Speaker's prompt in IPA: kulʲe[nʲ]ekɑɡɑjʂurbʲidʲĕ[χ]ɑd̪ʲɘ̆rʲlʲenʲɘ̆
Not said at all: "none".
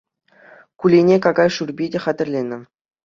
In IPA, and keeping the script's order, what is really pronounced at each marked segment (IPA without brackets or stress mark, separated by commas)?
nʲ, χ